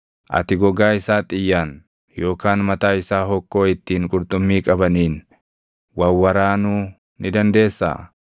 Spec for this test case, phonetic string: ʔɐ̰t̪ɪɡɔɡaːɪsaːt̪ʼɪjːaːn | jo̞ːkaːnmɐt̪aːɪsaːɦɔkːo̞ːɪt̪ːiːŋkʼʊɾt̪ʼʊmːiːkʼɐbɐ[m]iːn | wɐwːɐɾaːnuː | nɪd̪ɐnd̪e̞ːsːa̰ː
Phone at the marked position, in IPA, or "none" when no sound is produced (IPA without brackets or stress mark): n